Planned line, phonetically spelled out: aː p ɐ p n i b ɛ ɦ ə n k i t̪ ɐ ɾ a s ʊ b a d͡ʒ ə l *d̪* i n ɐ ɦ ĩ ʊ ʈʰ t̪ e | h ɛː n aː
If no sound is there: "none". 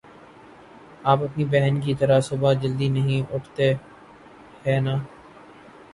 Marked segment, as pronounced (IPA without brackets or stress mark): d̪